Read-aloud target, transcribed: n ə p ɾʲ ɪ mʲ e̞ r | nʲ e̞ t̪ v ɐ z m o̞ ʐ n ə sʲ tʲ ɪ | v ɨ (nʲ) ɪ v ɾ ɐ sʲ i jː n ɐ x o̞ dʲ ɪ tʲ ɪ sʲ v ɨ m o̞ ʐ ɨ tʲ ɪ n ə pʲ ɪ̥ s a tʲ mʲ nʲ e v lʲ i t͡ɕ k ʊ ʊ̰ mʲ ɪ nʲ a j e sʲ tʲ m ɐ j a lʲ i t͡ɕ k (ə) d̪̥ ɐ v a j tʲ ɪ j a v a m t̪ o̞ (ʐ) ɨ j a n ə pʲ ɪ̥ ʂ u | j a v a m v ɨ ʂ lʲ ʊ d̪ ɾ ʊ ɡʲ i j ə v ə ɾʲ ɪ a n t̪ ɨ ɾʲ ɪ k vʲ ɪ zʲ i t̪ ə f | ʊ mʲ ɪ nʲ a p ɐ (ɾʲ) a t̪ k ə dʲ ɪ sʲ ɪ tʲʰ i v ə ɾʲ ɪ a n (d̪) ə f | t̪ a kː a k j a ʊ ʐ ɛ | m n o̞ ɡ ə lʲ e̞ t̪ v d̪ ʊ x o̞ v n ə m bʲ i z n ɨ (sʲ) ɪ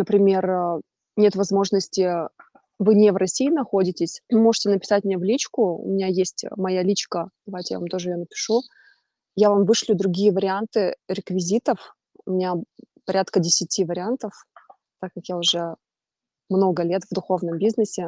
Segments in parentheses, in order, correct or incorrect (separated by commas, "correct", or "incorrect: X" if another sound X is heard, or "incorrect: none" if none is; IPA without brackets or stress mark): correct, correct, correct, correct, incorrect: t̪, correct